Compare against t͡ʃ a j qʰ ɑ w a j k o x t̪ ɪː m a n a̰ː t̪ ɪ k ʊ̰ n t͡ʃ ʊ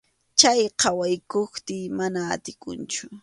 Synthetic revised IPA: t͡ʃ a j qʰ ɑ w a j k o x t̪ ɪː m a n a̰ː t̪ ɪ k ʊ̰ n t͡ʃ ʊ